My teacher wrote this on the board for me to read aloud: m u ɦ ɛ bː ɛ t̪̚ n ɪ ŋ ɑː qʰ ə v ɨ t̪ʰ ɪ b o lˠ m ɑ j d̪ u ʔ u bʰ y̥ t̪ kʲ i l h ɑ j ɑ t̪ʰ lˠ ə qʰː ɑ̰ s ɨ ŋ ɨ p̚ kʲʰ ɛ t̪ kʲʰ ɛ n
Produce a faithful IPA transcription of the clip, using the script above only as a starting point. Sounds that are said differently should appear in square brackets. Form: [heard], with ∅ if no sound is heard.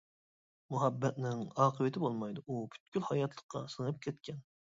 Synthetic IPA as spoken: m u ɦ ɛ bː ɛ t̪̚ n ɪ ŋ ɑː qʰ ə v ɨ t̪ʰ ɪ b o lˠ m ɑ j d̪ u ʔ u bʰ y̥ t̪ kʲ [y] l h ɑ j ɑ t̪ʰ lˠ ə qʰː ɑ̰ s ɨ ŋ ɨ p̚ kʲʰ ɛ t̪ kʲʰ ɛ n